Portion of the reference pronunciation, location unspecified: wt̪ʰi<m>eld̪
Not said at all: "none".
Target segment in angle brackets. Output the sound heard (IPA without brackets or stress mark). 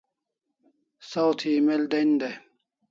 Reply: m